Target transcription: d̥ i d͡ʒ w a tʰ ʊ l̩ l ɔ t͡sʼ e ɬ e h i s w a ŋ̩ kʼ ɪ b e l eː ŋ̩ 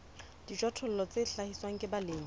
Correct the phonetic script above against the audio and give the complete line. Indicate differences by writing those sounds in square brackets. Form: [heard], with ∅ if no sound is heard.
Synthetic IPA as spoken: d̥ i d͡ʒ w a tʰ ʊ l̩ l ɔ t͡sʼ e ɬ [a] h i s w a ŋ̩ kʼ ɪ b [a] l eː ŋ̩